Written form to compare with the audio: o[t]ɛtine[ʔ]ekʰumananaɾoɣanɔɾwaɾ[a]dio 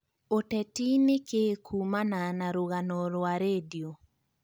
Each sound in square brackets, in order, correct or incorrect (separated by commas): correct, incorrect, incorrect